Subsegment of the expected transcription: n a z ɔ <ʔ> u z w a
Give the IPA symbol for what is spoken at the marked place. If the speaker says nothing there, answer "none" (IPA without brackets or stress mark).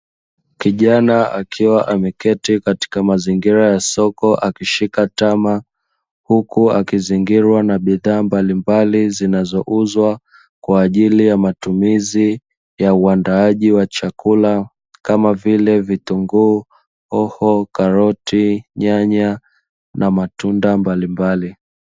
ʔ